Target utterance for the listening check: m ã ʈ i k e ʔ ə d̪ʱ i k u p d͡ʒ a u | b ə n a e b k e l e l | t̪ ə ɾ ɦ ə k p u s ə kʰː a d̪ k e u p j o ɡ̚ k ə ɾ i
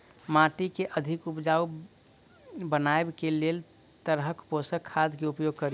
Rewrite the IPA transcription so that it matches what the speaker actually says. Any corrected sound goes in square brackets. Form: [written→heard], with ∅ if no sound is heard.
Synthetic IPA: m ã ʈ i k e ʔ ə d̪ʱ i k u p d͡ʒ a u | b ə n a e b k e l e l | t̪ ə ɾ ɦ ə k p [u→o] s ə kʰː a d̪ k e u p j o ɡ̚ k ə ɾ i